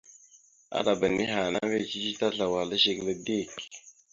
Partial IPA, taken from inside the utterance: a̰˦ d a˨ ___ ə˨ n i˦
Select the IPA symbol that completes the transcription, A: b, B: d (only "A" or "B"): A